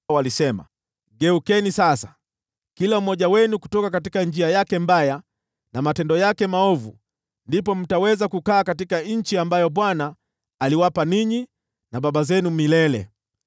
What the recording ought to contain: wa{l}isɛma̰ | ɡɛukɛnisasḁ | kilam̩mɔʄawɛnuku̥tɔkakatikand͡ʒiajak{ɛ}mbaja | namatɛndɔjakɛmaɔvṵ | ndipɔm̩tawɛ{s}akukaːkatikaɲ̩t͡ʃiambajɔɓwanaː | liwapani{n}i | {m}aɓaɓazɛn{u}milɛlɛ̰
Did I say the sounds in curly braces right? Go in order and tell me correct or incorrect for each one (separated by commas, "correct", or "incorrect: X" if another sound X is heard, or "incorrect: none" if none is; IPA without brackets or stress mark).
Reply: correct, correct, incorrect: z, incorrect: ɲ, incorrect: n, correct